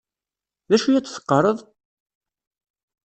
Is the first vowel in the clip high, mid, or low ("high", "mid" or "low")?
low